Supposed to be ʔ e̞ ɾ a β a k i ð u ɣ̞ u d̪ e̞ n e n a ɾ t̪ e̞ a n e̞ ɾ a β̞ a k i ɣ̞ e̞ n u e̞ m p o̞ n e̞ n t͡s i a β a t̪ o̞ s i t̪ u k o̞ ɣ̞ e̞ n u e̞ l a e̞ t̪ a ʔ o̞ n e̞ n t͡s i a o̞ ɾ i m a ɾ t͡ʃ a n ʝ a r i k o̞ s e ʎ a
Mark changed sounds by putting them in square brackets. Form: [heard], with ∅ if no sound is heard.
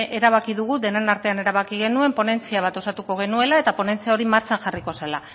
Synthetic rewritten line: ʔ e̞ ɾ a β a k i ð u ɣ̞ u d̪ e̞ n e n a ɾ t̪ e̞ a n e̞ ɾ a β̞ a k i ɣ̞ e̞ n u e̞ m p o̞ n e̞ n t͡s i a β a t̪ o̞ s [a] t̪ u k o̞ ɣ̞ e̞ n u e̞ l a e̞ t̪ a [p] o̞ n e̞ n t͡s i a o̞ ɾ i m a ɾ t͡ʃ a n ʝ a r i k o̞ s e [l] a